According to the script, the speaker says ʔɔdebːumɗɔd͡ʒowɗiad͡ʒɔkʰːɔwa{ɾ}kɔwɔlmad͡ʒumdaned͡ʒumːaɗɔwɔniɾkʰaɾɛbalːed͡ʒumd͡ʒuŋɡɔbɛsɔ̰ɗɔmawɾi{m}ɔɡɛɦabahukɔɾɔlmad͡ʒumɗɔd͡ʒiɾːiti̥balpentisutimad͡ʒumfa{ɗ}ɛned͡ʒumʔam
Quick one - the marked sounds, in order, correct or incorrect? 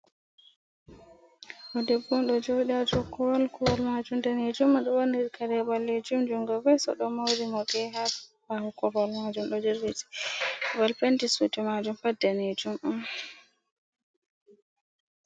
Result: incorrect, correct, incorrect

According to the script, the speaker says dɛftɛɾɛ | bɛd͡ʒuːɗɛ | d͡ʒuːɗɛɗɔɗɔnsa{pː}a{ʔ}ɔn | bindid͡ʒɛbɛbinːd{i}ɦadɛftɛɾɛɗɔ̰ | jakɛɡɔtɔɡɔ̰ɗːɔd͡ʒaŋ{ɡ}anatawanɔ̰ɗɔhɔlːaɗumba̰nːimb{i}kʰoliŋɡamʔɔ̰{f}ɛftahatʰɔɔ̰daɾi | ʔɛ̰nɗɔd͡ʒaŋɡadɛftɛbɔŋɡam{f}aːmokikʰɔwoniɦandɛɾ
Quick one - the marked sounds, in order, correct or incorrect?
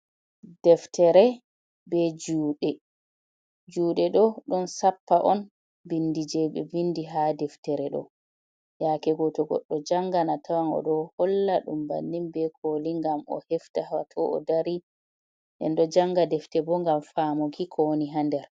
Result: correct, correct, correct, correct, incorrect, incorrect, correct

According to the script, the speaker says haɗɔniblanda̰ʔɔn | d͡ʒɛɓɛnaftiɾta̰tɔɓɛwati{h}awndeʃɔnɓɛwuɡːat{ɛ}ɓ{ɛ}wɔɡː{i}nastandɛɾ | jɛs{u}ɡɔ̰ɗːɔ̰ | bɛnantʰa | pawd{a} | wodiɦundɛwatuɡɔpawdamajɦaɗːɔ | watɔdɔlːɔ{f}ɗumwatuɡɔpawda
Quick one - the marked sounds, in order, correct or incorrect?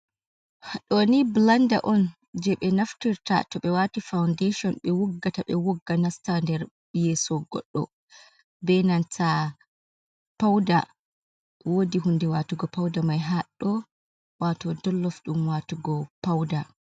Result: incorrect, incorrect, correct, incorrect, incorrect, correct, correct

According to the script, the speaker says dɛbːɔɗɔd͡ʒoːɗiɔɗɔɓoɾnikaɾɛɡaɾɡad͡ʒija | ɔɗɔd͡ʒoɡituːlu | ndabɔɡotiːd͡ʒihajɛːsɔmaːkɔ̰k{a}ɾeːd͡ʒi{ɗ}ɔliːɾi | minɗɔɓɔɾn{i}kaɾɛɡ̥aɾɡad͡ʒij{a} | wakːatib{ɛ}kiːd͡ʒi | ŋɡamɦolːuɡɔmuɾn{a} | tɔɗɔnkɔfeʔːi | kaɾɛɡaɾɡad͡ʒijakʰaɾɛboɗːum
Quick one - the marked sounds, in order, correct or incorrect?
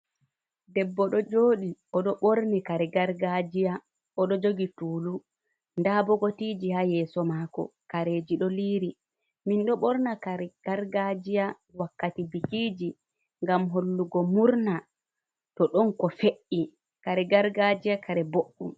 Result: correct, correct, incorrect, correct, incorrect, correct

